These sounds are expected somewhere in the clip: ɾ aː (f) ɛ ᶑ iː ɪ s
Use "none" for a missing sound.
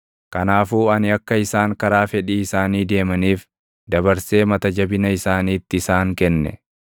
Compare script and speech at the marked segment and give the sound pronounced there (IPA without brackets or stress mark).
f